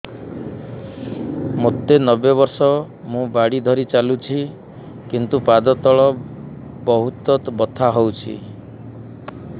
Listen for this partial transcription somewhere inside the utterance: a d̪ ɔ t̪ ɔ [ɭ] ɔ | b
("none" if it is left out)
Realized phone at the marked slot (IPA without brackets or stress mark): ɭ